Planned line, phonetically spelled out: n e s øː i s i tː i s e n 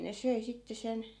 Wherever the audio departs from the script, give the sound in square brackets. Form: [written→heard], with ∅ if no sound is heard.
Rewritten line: n e s [øː→ø] i s i tː [i→e] s e n